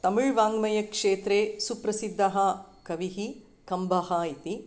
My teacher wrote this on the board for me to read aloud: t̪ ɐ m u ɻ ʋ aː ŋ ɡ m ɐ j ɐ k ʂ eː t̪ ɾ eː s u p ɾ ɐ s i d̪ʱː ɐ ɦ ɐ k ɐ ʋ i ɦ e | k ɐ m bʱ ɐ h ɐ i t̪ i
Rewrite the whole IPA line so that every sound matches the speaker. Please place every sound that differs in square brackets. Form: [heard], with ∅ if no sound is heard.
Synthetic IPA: t̪ ɐ m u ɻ ʋ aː ŋ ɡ m ɐ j ɐ k ʂ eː t̪ ɾ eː s u p ɾ ɐ s i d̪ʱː ɐ ɦ ɐ k ɐ ʋ i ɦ [i] | k ɐ m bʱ ɐ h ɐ i t̪ i

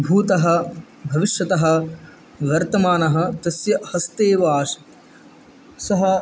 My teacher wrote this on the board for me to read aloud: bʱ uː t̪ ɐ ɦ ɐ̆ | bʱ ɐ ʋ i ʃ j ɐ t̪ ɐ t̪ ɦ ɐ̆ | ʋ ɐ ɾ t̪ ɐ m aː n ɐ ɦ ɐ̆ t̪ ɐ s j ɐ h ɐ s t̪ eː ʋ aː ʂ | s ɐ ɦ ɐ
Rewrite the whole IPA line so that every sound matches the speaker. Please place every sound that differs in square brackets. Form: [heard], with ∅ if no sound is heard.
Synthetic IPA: bʱ uː t̪ ɐ ɦ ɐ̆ | bʱ ɐ ʋ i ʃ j ɐ t̪ ɐ [∅] ɦ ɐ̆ | ʋ ɐ ɾ t̪ ɐ m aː n ɐ ɦ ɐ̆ t̪ ɐ s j ɐ h ɐ s t̪ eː ʋ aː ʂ | s ɐ ɦ ɐ

